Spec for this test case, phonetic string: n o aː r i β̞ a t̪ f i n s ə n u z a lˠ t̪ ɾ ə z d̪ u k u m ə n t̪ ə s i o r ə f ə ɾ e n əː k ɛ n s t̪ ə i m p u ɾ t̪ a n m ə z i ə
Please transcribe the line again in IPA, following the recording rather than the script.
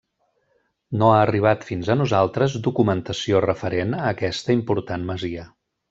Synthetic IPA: n o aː r i β̞ a t̪ f i n z ə n u z a lˠ t̪ ɾ ə z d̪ u k u m ə n t̪ ə s i o r ə f ə ɾ e n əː k ɛ s t̪ ə i m p u ɾ t̪ a n m ə z i ə